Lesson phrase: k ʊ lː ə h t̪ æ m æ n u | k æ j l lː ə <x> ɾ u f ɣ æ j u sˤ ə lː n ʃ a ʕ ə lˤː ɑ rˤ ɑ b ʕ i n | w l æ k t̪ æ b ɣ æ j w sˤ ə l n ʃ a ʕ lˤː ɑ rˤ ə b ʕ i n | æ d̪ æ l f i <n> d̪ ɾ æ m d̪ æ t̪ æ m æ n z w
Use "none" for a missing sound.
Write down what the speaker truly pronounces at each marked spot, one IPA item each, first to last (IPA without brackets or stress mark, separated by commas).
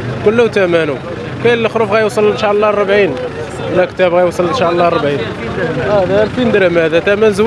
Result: x, n